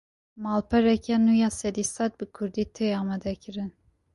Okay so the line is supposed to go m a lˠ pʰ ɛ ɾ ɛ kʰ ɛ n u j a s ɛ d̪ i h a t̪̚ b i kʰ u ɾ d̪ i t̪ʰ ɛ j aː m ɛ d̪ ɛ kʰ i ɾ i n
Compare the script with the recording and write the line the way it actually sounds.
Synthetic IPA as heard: m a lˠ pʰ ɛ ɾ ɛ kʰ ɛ n u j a s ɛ d̪ i s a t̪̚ b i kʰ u ɾ d̪ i t̪ʰ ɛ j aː m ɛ d̪ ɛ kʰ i ɾ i n